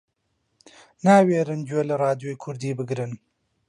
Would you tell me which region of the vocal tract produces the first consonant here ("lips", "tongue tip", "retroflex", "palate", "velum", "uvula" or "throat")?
tongue tip